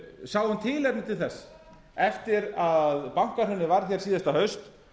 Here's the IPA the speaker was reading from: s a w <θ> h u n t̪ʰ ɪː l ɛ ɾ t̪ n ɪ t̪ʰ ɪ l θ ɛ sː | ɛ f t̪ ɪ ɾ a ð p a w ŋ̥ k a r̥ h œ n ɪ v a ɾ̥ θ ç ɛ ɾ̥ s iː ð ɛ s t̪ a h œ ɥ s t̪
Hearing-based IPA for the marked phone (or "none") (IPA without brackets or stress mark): ð